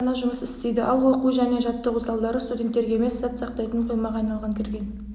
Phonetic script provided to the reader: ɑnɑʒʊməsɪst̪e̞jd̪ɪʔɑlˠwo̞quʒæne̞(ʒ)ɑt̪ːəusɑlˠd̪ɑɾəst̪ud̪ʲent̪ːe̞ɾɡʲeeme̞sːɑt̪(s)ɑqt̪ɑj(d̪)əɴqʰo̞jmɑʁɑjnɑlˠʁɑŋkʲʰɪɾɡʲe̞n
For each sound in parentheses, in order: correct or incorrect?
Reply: correct, correct, incorrect: t̪

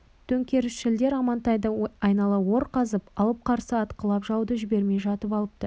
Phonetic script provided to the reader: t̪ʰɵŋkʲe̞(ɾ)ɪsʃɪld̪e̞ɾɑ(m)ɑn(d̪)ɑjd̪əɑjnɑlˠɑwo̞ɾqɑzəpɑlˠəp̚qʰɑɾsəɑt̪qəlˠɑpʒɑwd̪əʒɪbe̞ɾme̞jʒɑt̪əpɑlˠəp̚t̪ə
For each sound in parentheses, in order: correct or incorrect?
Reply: correct, correct, incorrect: t̪

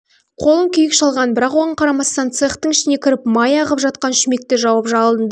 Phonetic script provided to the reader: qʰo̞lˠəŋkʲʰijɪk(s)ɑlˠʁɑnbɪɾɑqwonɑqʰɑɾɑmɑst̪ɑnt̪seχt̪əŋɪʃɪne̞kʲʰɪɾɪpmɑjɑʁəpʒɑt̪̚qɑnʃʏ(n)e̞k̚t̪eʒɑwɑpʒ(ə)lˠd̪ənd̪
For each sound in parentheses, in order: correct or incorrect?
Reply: incorrect: ʃ, incorrect: m, incorrect: ɑ

